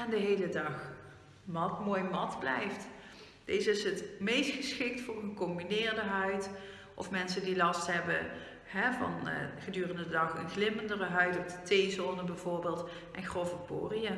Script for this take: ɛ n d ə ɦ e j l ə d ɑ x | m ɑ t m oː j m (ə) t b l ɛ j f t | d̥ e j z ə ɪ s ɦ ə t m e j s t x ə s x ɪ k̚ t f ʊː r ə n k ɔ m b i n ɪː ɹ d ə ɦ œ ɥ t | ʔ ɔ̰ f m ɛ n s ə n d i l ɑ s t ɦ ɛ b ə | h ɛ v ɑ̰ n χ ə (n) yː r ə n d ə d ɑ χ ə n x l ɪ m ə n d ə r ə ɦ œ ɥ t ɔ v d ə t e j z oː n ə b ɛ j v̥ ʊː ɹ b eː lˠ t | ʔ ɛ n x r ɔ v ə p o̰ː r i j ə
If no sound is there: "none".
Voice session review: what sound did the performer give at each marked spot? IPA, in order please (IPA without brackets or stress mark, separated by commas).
ɑ, d